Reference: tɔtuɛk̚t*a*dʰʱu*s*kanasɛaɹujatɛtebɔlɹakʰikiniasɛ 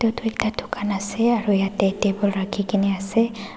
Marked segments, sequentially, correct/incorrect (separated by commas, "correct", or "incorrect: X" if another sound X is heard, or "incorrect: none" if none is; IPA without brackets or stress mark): correct, incorrect: none